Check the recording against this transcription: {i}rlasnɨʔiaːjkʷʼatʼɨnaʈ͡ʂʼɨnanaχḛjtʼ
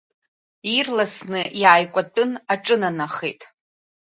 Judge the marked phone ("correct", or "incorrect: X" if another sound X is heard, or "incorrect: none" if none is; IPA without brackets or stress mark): correct